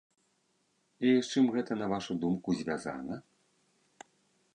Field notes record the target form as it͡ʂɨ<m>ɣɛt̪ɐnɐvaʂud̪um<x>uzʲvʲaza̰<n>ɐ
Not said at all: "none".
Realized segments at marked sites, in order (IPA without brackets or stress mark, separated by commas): m, k, n